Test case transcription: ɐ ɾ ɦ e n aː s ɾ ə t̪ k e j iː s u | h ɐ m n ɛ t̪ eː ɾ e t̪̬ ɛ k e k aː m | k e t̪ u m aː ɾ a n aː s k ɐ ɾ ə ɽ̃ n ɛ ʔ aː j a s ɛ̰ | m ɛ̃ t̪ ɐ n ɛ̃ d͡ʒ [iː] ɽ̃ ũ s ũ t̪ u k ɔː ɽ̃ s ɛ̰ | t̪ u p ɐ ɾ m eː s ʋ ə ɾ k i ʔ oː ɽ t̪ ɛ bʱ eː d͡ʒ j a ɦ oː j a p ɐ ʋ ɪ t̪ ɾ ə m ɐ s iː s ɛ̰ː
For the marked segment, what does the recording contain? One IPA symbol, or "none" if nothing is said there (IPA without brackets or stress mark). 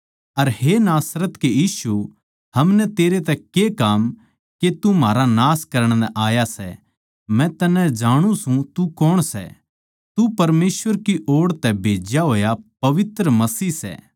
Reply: aː